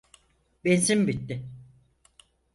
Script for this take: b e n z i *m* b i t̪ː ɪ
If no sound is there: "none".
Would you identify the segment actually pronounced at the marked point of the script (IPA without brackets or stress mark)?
m